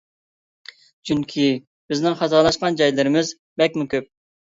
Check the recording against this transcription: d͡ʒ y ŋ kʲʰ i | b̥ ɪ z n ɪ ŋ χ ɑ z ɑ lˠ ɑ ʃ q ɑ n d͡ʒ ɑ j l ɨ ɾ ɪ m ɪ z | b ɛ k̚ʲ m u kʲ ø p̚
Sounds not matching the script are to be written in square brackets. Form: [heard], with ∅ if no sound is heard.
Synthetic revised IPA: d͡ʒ y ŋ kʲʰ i | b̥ ɪ z n ɪ ŋ χ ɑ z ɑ lˠ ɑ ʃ q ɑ n d͡ʒ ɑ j l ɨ ɾ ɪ m ɪ z | b ɛ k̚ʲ m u kʲ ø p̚